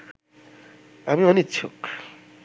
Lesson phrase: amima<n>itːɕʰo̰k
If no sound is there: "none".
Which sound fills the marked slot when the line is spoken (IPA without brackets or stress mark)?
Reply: n